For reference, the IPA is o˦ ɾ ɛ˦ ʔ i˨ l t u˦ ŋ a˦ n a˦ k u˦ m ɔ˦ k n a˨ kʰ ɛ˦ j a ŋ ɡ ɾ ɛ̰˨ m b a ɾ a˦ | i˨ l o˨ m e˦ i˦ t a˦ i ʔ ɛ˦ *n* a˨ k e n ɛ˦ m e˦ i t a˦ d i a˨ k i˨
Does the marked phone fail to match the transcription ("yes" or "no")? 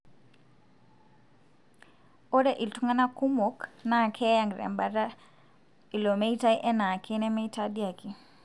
no